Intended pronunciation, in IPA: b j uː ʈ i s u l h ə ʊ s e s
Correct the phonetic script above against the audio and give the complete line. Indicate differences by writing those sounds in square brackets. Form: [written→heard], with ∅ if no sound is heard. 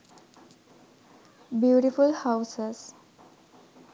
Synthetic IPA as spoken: b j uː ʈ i [s→f] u l h [ə→a] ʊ s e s